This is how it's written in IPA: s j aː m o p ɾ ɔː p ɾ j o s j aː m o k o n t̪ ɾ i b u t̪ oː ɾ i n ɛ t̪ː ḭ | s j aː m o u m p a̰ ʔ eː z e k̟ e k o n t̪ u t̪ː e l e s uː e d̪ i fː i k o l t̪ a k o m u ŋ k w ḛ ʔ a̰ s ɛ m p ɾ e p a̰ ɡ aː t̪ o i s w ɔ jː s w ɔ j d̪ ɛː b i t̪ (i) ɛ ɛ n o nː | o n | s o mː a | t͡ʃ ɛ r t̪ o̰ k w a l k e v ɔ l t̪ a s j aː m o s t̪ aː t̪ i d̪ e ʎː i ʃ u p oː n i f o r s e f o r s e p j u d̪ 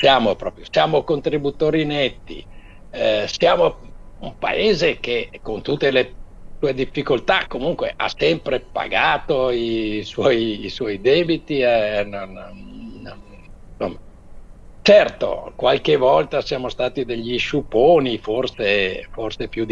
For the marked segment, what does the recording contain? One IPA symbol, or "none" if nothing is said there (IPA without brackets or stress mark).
i